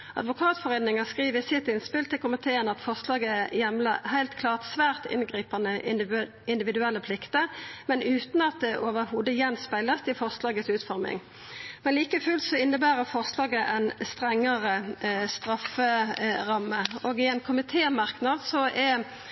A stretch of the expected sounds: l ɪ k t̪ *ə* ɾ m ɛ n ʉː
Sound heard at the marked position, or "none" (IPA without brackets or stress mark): ə